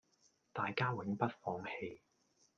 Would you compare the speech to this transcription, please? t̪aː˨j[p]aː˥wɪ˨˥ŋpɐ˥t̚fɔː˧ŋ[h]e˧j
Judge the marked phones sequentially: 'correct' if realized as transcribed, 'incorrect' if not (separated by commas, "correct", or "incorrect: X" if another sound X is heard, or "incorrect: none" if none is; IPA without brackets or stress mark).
incorrect: k, correct